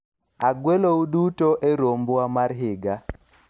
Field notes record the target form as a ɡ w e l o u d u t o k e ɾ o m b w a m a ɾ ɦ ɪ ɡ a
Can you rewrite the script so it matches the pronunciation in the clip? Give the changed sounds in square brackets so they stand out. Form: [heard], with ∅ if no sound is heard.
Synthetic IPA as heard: a ɡ w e l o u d u t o [ʔ] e ɾ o m b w a m a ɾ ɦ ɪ ɡ a